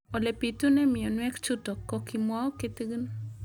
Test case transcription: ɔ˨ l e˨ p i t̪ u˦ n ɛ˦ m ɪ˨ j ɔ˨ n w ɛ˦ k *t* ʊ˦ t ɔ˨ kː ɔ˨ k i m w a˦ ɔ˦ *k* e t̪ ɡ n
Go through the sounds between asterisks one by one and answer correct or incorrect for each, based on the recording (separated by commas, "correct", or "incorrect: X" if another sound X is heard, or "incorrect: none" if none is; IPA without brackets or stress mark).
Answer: incorrect: t͡ʃ, correct